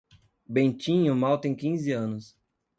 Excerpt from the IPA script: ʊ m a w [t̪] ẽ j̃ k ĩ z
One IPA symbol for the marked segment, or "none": t̪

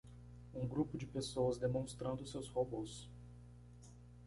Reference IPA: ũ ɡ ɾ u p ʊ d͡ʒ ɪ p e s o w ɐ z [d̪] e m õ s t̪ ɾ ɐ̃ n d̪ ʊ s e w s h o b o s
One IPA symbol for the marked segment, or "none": d̪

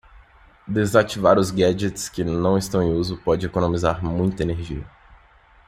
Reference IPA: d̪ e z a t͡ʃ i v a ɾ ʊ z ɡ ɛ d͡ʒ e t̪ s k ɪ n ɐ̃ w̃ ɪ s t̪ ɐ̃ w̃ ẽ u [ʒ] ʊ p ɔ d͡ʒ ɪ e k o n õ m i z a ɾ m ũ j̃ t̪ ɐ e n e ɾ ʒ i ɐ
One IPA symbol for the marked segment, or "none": z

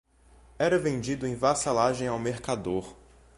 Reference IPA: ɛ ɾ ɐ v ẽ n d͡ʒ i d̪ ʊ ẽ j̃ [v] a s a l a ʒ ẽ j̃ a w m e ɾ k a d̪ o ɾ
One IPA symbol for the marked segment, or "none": v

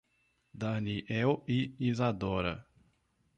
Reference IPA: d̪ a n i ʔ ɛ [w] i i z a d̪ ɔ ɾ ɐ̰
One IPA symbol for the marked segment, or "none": w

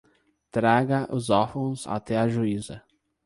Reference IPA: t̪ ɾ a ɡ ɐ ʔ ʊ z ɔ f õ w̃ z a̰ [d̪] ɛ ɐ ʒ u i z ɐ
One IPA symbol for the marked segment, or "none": t̪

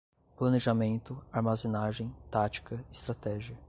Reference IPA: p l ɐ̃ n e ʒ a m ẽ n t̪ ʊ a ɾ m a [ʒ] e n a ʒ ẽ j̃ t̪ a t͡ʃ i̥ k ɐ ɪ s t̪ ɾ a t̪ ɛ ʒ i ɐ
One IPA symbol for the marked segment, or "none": z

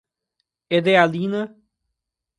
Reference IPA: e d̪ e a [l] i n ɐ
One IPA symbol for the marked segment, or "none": l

